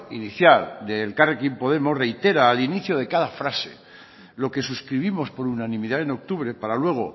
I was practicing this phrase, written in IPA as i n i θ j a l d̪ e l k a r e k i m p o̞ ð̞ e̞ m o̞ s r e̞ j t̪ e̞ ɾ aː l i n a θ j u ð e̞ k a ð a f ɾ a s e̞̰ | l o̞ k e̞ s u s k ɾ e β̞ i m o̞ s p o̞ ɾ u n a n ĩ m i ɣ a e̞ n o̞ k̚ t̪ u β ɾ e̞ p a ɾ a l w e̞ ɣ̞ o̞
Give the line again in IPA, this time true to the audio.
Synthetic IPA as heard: i n i θ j a l d̪ e l k a r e k i m p o̞ ð̞ e̞ m o̞ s r e̞ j t̪ e̞ ɾ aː l i n i θ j o ð e̞ k a ð a f ɾ a s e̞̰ | l o̞ k e̞ s u s k ɾ i β̞ i m o̞ s p o̞ ɾ u n a n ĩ m i ð a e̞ n o̞ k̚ t̪ u β ɾ e̞ p a ɾ a l w e̞ ɣ̞ o̞

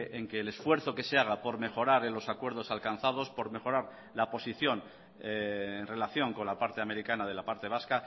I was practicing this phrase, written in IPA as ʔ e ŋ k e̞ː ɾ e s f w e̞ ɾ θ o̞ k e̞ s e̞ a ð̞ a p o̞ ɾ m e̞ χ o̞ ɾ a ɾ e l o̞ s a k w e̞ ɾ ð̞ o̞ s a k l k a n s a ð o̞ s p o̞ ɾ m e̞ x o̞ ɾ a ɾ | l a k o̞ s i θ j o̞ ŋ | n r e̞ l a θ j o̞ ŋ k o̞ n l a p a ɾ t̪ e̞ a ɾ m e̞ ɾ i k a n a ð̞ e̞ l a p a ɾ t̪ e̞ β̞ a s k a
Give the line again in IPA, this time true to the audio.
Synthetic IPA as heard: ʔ e ŋ k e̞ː l e s f w e̞ ɾ θ o̞ k e̞ s e̞ a ɣ̞ a p o̞ ɾ m e̞ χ o̞ ɾ a ɾ e l o̞ s a k w e̞ ɾ ð̞ o̞ s a l k a n θ a ð o̞ s p o̞ ɾ m e̞ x o̞ ɾ a ɾ | l a p o̞ s i θ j o̞ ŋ | n r e̞ l a θ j o̞ ŋ k o̞ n l a p a ɾ t̪ e̞ a m e̞ ɾ i k a n a ð̞ e̞ l a p a ɾ t̪ e̞ β̞ a s k a

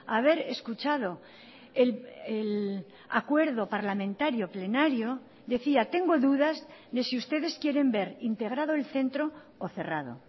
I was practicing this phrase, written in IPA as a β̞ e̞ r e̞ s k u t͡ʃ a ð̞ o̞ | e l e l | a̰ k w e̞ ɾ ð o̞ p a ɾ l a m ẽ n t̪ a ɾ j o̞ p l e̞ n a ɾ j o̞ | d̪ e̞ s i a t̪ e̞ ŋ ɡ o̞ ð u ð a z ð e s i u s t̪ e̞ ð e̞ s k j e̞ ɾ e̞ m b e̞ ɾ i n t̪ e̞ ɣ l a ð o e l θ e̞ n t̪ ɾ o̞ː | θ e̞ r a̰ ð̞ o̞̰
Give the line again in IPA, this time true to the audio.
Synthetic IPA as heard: a β̞ e̞ ɾ e̞ s k u t͡ʃ a ð̞ o̞ | e l e l | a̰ k w e̞ ɾ ð o̞ p a ɾ l a m ẽ n t̪ a ɾ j o̞ p l e̞ n a ɾ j o̞ | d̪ e̞ θ i a t̪ e̞ ŋ ɡ o̞ ð u ð a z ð e s i u s t̪ e̞ ð e̞ s k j e̞ ɾ e̞ m b e̞ ɾ i n t̪ e̞ ɣ ɾ a ð o e l θ e̞ n t̪ ɾ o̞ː | θ e̞ r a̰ ð̞ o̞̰

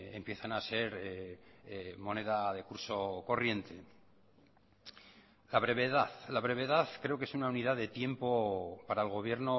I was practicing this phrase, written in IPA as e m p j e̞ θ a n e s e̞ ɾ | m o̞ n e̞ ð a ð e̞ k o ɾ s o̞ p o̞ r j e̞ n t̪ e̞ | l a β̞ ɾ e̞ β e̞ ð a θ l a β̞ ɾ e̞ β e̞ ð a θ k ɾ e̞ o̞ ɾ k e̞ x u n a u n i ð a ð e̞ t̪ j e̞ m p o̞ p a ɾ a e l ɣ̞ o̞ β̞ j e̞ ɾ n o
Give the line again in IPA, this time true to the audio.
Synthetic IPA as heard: e m p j e̞ θ a n a s e̞ ɾ | m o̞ n e̞ ð a ð e̞ k u ɾ s o̞ k o̞ r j e̞ n t̪ e̞ | l a β̞ ɾ e̞ β e̞ ð a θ l a β̞ ɾ e̞ β e̞ ð a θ k ɾ e̞ o̞ k e̞ s u n a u n i ð a ð e̞ t̪ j e̞ m p o̞ p a ɾ a e l ɣ̞ o̞ β̞ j e̞ ɾ n o

